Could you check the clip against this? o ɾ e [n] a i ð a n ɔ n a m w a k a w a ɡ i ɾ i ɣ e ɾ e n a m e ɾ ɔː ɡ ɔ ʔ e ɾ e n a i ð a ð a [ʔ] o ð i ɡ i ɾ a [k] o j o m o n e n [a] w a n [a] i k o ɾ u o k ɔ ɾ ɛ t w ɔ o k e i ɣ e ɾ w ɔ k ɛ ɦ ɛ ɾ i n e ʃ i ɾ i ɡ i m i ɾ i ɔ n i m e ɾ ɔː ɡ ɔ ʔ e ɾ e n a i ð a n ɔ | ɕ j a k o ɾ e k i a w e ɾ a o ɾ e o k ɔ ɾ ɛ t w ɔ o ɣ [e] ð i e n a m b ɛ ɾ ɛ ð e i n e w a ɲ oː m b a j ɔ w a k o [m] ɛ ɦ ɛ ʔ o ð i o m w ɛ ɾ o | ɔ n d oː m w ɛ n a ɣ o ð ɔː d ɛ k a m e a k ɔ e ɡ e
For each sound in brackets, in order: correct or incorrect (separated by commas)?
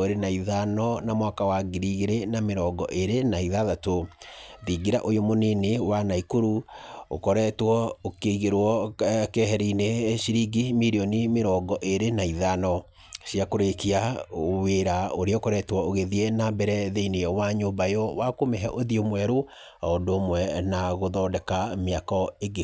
correct, incorrect, incorrect, incorrect, correct, correct, correct